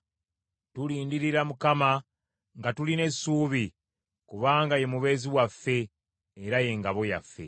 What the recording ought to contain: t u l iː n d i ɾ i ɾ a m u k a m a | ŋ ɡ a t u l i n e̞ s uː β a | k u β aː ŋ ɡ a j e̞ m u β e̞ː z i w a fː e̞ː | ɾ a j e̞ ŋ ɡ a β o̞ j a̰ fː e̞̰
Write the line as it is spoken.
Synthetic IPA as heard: t u l iː n d i ɾ i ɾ a m u k a m a | ŋ ɡ a t u l i n e̞ s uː β i | k u β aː ŋ ɡ a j e̞ m u β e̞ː z i w a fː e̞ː | ɾ a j e̞ ŋ ɡ a β o̞ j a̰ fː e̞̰